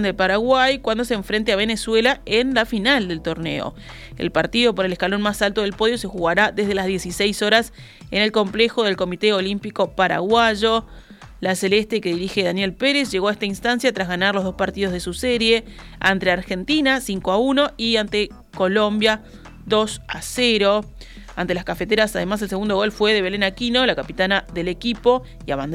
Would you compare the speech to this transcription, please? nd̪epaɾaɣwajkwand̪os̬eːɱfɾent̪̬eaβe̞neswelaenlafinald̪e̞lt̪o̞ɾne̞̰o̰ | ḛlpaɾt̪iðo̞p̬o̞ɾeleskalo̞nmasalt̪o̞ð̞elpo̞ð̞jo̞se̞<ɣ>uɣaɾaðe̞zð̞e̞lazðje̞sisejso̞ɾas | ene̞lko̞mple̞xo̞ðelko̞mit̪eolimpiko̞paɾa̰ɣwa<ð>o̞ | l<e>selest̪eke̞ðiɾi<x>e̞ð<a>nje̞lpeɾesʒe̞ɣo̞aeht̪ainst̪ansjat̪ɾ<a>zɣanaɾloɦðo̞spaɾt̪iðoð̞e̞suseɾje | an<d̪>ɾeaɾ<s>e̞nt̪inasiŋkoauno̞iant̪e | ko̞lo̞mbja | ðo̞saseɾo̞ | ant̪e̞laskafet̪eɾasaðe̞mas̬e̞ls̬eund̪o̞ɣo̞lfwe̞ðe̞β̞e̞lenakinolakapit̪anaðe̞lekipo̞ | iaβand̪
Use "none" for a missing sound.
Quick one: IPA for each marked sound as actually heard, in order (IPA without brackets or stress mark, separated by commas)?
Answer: x, ʒ, a, x, a, a, t̪, x